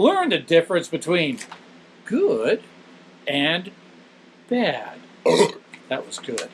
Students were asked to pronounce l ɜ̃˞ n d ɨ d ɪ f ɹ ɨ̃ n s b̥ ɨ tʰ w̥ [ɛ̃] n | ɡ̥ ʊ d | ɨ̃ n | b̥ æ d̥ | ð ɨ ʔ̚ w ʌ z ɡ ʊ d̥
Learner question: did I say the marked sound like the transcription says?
no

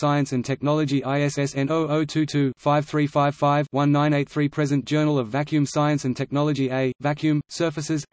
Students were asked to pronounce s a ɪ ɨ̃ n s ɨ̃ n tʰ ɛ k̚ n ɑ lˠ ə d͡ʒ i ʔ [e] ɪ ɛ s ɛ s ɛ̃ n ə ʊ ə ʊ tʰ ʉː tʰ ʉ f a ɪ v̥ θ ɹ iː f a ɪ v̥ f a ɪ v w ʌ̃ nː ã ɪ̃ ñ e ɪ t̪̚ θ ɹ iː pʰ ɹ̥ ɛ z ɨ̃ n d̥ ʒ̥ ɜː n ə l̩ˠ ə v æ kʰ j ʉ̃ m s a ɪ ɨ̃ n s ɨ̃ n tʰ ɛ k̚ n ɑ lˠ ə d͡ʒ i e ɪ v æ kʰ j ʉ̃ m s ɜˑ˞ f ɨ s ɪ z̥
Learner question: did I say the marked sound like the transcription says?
no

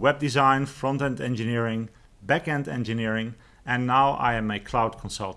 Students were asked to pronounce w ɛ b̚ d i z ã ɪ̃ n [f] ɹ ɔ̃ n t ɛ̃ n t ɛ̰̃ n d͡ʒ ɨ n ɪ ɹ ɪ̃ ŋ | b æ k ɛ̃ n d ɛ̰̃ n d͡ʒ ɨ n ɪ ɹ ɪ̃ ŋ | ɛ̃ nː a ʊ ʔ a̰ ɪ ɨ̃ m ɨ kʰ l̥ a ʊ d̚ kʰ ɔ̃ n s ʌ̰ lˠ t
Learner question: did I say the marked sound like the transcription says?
yes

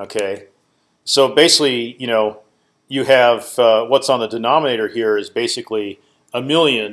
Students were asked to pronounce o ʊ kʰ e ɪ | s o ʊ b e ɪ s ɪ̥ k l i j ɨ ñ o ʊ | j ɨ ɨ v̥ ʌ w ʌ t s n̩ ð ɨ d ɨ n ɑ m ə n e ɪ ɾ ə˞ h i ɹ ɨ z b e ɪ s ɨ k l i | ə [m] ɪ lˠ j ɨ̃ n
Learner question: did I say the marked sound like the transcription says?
yes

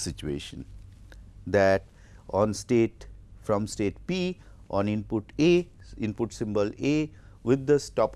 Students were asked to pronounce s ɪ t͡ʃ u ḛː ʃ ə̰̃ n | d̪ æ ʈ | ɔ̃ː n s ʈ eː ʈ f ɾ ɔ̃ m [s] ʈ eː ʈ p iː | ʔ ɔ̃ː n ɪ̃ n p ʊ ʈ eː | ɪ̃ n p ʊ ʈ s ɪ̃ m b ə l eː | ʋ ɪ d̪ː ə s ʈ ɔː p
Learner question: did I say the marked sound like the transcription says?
yes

